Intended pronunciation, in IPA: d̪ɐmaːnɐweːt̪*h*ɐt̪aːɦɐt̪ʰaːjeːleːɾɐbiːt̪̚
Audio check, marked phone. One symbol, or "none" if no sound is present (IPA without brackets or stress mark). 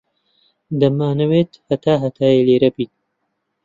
h